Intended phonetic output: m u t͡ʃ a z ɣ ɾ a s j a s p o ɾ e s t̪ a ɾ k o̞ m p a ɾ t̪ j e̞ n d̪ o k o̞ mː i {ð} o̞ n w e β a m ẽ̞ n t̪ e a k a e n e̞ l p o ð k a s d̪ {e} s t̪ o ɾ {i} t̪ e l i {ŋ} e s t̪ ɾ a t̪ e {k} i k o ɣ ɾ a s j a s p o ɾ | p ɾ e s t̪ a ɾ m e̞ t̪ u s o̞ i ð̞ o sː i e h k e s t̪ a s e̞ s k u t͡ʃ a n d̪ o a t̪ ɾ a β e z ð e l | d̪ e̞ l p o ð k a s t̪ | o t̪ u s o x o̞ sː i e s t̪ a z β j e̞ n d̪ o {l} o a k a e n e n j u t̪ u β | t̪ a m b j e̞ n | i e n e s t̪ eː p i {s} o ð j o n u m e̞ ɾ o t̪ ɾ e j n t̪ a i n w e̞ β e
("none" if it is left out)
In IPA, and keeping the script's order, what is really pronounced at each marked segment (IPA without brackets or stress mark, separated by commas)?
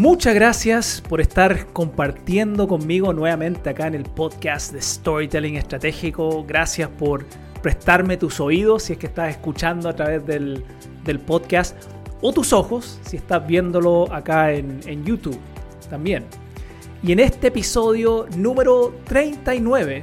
ɣ, e, i, ŋ, x, l, s